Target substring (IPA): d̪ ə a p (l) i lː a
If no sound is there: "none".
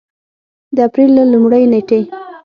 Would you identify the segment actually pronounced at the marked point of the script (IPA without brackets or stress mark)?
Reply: ɾ